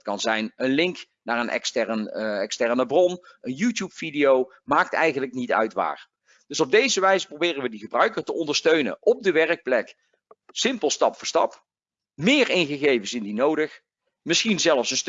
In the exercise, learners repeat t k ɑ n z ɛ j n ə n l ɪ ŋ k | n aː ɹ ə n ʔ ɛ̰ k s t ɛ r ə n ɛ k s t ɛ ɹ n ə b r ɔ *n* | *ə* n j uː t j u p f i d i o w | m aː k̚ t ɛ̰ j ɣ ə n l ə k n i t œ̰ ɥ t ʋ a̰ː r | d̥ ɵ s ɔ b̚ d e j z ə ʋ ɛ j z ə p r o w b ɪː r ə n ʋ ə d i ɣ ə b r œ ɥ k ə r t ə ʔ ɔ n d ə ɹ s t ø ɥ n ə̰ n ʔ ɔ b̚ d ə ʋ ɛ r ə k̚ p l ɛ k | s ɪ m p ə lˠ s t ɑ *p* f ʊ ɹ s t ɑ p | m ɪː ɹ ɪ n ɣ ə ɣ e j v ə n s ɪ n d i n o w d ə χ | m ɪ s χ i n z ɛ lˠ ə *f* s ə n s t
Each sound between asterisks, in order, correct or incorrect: correct, correct, correct, correct

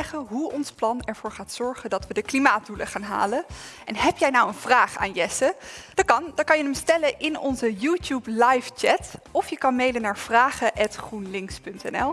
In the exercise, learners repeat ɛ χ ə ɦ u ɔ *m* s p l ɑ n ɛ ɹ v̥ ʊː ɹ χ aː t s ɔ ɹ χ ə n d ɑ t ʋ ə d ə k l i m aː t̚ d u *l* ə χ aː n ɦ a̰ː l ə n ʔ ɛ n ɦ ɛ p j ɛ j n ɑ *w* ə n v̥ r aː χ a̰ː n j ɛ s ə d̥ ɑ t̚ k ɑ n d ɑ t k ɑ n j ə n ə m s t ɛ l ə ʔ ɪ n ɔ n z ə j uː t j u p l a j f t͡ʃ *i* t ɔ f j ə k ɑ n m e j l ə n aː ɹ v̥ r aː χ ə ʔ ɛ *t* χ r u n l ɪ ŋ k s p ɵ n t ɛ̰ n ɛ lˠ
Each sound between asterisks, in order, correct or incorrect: incorrect, correct, correct, incorrect, correct

